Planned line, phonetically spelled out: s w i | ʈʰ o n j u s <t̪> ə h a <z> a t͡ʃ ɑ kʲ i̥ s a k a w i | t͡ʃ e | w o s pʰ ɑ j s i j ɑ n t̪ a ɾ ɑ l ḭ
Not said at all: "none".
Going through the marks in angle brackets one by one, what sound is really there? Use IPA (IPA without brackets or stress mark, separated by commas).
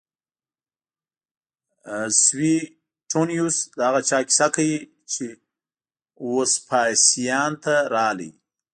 d̪, ɣ